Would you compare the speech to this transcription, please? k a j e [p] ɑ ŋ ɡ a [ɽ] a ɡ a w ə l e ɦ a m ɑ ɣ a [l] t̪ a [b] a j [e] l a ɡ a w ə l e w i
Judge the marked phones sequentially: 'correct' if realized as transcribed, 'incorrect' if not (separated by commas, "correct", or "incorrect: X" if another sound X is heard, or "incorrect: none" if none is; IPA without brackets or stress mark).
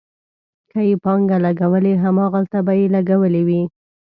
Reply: correct, incorrect: l, correct, correct, correct